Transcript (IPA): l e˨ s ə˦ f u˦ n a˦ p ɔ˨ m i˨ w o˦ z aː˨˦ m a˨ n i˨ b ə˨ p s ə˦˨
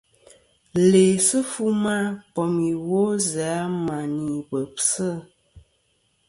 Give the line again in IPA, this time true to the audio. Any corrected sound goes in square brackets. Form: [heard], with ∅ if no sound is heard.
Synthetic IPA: l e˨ s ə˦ f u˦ [m] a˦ p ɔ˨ m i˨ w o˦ z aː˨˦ m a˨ n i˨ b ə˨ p s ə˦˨

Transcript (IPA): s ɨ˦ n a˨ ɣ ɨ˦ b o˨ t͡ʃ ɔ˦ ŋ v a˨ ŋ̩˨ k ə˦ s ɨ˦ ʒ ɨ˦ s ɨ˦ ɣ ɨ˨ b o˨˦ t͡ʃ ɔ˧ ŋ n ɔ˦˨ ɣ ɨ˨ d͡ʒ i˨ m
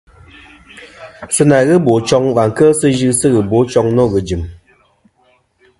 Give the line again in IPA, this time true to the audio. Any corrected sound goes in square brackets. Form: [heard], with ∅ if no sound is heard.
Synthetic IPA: s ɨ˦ n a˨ ɣ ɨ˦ b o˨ t͡ʃ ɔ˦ ŋ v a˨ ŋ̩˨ k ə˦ s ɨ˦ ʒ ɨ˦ s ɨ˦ ɣ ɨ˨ b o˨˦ t͡ʃ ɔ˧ ŋ n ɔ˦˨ ɣ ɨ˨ d͡ʒ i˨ m

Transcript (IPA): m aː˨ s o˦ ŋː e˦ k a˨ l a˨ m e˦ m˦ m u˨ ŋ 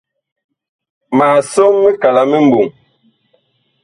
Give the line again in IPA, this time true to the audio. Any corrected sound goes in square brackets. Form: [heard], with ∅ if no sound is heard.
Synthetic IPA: m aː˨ s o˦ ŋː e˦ k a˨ l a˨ m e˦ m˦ [b] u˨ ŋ

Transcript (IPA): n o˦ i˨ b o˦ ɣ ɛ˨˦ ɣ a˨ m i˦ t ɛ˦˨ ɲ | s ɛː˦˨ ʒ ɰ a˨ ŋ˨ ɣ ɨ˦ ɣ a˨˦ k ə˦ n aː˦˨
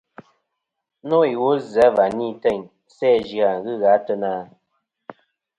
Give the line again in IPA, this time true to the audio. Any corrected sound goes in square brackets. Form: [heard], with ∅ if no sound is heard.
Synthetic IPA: n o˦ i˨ [w] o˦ [z] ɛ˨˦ [v] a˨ [n] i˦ t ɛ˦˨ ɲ | s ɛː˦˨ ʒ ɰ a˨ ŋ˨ ɣ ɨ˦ ɣ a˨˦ [t] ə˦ n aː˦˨

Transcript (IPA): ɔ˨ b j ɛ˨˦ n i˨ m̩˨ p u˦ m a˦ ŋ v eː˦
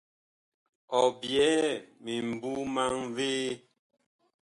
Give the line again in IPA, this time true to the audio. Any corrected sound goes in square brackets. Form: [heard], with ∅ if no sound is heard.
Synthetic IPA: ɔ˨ b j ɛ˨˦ [m] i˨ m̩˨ [b] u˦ m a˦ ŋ v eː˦

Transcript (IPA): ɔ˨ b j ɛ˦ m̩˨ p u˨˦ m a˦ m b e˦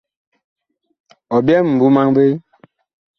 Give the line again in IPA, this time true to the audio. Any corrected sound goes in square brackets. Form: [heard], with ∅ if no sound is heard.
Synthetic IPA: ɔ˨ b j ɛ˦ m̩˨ [b] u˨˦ m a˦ [ŋ] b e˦

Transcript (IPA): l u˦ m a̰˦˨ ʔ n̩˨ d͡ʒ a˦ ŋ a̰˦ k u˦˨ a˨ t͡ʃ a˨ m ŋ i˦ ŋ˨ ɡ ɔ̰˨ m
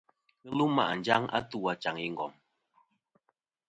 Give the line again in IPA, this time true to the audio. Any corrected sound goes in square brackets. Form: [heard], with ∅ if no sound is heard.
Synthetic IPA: l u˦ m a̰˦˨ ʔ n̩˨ d͡ʒ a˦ ŋ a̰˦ [t] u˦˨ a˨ t͡ʃ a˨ [∅] ŋ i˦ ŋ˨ ɡ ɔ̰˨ m

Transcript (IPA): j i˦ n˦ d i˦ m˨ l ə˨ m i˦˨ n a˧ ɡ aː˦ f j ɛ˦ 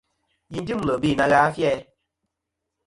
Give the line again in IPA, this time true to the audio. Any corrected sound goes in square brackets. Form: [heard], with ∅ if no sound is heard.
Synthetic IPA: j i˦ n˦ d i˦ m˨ l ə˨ [b] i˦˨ n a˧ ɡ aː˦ f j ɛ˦

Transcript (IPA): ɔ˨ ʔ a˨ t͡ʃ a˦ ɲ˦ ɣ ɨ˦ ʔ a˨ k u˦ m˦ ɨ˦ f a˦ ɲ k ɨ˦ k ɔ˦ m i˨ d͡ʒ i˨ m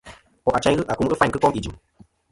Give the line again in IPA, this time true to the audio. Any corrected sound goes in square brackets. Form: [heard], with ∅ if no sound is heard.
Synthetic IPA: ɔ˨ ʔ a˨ t͡ʃ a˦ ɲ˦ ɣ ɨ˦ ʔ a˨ k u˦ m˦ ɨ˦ f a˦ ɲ k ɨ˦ k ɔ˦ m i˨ d͡ʒ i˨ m

